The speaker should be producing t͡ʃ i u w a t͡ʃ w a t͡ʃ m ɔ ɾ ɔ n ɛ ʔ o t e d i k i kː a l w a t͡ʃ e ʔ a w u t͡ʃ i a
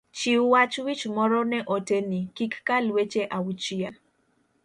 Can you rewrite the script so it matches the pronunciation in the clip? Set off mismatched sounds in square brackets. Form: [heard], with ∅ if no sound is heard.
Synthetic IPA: t͡ʃ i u w a t͡ʃ w [i] t͡ʃ m ɔ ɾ ɔ n ɛ ʔ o t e [n] i k i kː a l w [e] t͡ʃ e ʔ a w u t͡ʃ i a